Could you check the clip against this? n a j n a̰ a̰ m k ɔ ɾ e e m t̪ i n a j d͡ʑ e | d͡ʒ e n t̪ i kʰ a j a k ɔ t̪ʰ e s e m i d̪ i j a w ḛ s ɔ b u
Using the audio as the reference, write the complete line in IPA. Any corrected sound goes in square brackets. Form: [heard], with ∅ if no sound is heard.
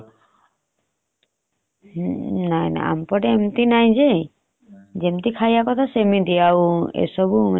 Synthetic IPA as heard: n a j n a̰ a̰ m [p] ɔ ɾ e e m t̪ i n a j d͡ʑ e | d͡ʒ e [m] t̪ i kʰ a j a k ɔ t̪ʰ [a] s e m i d̪ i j a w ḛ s ɔ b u